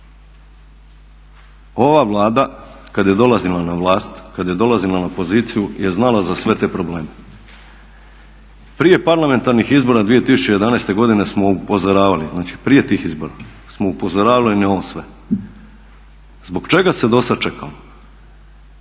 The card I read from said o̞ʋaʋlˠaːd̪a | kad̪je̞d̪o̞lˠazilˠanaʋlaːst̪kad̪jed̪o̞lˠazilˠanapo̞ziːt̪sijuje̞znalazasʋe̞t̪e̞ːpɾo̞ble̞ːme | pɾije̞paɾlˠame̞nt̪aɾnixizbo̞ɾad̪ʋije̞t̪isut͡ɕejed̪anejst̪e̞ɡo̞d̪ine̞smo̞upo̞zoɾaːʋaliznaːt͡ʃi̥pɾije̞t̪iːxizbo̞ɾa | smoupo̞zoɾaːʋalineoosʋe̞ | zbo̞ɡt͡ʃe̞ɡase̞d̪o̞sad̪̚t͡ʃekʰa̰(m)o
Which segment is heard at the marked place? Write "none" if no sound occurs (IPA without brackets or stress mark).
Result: m